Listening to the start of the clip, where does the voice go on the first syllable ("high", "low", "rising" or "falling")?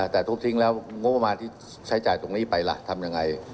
low